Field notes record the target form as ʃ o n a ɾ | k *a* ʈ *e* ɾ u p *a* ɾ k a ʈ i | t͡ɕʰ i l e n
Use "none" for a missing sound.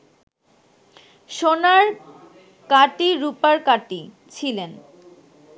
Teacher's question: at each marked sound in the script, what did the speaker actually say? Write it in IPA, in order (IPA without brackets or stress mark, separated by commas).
a, i, a